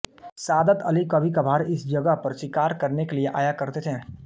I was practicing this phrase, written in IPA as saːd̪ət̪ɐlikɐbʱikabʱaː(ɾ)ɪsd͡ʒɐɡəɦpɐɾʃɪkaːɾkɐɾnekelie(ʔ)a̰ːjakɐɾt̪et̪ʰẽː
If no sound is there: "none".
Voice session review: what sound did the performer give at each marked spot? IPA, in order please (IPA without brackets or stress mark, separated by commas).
ɾ, ʔ